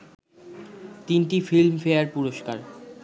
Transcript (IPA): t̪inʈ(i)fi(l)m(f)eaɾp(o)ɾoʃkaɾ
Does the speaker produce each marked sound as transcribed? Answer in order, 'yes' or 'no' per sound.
yes, yes, yes, no

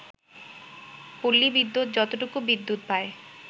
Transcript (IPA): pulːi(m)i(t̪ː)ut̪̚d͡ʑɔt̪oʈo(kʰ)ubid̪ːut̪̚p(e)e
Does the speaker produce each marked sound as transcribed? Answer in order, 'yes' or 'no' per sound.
no, no, no, no

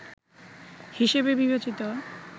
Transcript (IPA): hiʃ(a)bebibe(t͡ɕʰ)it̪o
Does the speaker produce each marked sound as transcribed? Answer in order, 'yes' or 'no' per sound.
no, no

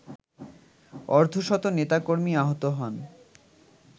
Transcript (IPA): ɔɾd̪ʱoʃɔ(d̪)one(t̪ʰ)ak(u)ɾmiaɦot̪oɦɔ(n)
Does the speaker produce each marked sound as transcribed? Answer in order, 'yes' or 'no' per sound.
no, no, no, yes

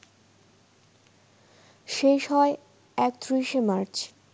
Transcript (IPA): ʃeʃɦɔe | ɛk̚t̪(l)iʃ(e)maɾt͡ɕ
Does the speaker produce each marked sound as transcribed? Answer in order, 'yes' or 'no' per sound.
no, yes

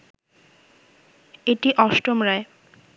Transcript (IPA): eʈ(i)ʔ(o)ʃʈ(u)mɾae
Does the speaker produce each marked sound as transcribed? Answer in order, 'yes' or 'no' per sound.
yes, no, no

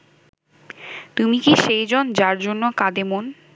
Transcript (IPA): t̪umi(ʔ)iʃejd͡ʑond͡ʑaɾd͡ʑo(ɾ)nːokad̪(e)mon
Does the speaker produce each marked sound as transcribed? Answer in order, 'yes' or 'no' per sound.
no, no, yes

